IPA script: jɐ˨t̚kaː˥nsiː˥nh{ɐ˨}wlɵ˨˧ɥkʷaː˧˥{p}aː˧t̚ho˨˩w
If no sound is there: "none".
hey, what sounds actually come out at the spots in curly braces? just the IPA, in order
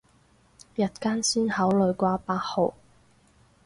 ɐ˨˥, p

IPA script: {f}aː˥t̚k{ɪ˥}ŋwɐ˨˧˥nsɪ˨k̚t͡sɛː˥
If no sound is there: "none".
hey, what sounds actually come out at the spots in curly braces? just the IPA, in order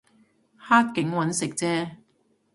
h, ɪ˨˥

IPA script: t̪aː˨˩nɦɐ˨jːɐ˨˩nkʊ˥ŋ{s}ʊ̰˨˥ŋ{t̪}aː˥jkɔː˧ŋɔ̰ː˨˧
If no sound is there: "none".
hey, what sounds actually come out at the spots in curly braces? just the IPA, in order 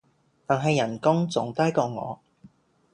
t͡s, t̪

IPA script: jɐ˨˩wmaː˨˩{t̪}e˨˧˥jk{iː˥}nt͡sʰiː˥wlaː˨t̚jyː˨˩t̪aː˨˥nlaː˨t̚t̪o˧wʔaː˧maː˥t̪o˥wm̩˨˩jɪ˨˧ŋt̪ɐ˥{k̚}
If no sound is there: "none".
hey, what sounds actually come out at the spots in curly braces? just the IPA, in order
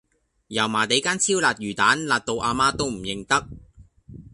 t̪, aː˥, k̚

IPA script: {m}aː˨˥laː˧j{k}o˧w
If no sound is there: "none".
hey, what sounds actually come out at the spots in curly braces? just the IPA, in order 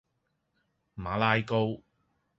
m, k

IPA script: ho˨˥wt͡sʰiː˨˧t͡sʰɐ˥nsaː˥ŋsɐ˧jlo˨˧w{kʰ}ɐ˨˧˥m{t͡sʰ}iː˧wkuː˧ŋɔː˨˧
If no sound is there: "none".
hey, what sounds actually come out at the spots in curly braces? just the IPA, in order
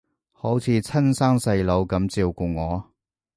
k, t͡s

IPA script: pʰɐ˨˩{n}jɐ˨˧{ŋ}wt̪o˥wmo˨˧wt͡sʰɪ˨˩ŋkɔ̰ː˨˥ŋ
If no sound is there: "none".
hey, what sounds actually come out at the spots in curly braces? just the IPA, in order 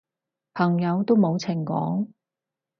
ŋ, none

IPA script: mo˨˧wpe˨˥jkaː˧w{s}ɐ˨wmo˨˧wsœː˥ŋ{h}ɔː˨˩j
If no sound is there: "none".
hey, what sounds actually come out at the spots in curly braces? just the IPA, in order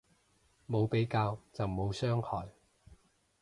t͡s, h

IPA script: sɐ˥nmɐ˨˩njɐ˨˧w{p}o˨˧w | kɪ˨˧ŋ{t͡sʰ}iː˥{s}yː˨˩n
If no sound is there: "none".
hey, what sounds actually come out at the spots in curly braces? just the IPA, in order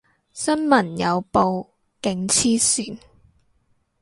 p, t͡sʰ, s

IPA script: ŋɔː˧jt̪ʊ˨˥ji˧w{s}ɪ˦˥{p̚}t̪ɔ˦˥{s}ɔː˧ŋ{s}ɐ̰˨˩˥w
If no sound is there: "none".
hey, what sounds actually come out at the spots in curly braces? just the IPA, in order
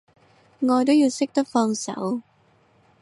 s, k̚, f, s

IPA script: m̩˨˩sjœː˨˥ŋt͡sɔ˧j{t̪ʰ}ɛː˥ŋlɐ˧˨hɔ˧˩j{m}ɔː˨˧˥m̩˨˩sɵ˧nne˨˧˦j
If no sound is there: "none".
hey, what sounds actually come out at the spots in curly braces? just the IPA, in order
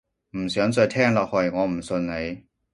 t̪ʰ, ŋ

